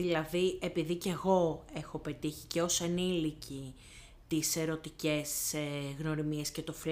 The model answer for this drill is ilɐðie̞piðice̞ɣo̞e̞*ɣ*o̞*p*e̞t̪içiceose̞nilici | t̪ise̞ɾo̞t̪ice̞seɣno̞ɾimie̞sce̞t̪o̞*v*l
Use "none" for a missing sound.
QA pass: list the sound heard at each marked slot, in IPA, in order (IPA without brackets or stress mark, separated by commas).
x, p, f